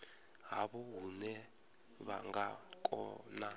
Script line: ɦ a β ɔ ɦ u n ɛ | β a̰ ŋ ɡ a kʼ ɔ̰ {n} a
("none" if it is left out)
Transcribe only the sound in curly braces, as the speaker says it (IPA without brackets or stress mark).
n